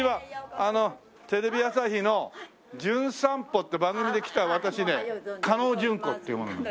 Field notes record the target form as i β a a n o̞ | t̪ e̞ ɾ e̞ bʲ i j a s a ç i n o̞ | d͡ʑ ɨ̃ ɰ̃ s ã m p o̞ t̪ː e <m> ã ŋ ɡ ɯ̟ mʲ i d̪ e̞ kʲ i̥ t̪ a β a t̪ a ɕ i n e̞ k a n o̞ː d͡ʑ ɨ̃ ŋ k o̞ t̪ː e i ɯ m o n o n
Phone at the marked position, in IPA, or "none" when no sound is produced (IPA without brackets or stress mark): b